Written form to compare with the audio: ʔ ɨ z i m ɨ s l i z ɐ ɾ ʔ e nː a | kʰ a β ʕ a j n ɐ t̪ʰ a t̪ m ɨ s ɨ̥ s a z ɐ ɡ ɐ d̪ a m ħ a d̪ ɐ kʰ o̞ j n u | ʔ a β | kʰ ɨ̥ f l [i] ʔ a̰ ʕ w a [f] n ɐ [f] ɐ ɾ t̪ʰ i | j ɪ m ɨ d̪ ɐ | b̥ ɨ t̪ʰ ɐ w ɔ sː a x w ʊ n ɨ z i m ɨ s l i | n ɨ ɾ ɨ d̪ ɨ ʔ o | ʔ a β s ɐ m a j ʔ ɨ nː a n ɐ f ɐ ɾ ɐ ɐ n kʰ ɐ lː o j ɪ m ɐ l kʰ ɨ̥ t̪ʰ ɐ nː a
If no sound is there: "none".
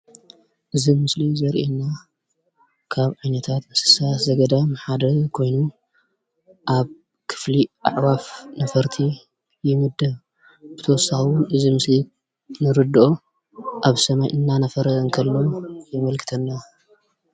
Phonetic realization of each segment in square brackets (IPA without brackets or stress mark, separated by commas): i, f, f